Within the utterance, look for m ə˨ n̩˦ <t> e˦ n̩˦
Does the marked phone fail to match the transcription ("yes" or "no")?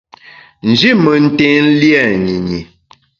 no